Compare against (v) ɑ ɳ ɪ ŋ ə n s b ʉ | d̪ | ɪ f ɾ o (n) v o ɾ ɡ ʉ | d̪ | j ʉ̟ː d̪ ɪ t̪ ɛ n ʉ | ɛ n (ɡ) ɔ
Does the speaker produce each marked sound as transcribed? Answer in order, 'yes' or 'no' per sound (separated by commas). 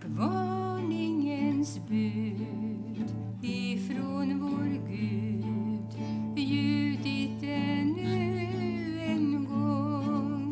yes, yes, yes